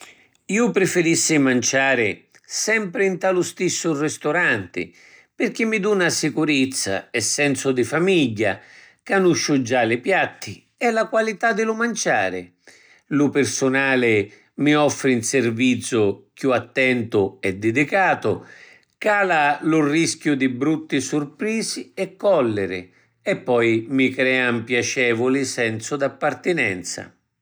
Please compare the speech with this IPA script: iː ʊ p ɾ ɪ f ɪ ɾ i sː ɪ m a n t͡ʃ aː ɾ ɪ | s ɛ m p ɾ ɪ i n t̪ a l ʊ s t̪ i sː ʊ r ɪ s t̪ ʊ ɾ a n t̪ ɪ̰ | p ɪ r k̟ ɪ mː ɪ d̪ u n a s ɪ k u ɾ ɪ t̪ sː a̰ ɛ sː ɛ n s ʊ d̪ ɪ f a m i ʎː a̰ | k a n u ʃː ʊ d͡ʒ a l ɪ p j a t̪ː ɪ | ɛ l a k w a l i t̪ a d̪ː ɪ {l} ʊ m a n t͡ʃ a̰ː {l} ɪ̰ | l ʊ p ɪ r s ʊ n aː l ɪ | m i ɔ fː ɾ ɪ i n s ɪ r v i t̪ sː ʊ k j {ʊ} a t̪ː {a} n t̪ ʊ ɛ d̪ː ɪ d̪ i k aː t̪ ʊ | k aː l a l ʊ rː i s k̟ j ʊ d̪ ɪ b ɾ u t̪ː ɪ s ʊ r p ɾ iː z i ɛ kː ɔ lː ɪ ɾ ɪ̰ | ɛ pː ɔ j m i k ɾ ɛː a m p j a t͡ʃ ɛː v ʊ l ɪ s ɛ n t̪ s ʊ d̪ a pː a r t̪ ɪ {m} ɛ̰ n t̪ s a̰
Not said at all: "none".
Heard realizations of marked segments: l, ɾ, u, ɛ, n

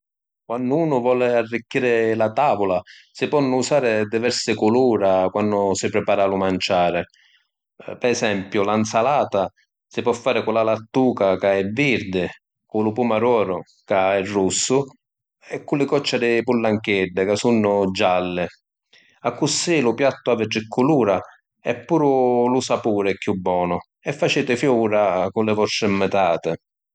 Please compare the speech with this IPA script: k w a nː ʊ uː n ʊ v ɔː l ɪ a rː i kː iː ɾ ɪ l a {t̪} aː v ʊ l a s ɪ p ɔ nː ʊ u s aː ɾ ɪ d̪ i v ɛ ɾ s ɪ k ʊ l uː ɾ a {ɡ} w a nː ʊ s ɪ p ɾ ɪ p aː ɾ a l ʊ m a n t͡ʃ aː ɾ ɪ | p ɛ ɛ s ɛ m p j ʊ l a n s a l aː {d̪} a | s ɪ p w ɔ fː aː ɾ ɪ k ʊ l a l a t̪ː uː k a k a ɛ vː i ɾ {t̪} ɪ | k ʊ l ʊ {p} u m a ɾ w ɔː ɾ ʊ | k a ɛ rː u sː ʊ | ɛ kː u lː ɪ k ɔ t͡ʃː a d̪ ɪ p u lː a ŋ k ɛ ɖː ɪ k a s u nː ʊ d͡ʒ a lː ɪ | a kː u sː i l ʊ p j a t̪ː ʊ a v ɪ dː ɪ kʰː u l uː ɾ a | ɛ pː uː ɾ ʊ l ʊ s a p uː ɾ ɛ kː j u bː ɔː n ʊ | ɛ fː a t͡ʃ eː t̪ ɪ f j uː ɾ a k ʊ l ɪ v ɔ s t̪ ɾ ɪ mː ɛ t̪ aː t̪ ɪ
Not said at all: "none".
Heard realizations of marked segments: t̪, k, t̪, d̪, p

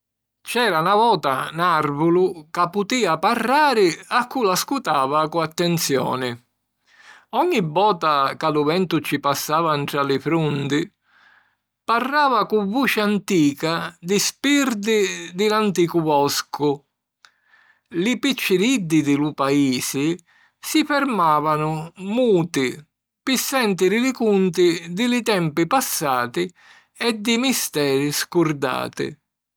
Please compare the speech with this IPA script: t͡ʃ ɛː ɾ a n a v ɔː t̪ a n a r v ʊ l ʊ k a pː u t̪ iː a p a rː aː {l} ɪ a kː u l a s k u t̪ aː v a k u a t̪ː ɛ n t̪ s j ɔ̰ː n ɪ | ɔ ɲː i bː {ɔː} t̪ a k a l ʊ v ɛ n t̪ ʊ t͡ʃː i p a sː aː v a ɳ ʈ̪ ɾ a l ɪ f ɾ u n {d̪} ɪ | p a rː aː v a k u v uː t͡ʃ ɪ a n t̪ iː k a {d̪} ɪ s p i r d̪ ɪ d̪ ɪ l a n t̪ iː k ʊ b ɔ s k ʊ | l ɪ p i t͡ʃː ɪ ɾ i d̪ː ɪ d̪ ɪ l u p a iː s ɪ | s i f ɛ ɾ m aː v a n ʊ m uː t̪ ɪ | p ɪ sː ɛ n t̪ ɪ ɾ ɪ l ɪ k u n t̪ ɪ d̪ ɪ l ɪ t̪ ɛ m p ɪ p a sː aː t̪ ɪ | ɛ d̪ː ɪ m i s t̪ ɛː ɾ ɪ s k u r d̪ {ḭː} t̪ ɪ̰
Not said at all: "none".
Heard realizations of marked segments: ɾ, ɔː, d̪, d̪, a̰ː

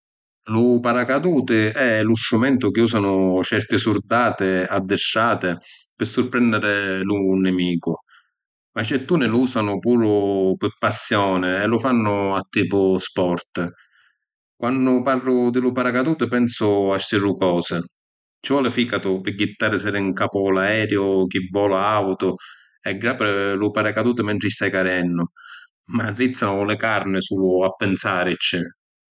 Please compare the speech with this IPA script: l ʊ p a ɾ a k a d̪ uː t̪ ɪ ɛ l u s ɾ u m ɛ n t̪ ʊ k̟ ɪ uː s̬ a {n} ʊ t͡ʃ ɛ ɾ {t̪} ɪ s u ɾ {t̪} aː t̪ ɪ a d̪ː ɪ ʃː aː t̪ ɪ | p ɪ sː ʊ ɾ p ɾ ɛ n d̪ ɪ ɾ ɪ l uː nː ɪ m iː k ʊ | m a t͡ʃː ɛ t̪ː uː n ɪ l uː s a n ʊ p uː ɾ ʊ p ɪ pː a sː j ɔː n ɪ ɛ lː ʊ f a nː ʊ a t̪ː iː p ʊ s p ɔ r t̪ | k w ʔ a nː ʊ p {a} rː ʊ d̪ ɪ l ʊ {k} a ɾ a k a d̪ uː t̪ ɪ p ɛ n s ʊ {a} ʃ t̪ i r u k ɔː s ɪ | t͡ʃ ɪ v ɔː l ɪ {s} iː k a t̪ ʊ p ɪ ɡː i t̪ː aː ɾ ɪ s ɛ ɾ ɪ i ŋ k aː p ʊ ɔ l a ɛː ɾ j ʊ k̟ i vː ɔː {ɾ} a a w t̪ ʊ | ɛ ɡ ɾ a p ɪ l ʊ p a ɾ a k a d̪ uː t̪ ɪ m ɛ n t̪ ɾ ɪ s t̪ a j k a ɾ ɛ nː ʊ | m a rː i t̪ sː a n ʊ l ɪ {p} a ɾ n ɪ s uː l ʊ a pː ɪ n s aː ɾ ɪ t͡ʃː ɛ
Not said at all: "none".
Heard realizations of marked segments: n, t̪, d̪, a, p, a, f, l, k

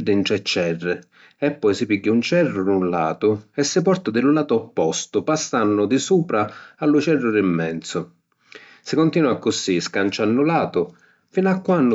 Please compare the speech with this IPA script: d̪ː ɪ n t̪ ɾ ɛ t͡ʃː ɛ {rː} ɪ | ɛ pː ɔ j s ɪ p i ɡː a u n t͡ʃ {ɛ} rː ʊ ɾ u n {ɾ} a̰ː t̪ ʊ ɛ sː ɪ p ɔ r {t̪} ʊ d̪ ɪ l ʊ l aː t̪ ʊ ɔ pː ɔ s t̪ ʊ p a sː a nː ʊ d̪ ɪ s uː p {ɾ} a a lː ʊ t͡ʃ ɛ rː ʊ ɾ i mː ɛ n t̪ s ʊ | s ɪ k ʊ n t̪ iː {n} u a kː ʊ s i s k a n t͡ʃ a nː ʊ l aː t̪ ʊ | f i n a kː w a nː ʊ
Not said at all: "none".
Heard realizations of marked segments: rː, ɛ, l, t̪, ɾ, n

